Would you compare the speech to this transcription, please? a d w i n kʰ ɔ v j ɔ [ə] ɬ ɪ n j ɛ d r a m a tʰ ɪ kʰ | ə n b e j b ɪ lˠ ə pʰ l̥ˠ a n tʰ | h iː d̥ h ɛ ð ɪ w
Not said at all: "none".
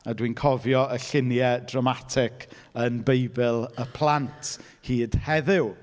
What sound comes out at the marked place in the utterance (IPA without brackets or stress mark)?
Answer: ə